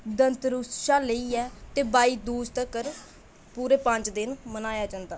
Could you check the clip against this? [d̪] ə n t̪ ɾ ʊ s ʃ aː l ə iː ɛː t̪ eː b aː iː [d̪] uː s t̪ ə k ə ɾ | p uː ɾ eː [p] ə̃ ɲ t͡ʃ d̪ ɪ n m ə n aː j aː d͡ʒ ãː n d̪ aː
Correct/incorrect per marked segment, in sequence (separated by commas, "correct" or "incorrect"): correct, correct, correct